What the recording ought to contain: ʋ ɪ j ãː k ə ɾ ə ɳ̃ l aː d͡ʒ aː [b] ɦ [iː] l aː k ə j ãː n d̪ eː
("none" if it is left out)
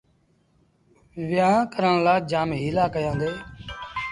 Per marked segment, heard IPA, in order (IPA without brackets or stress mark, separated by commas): m, iː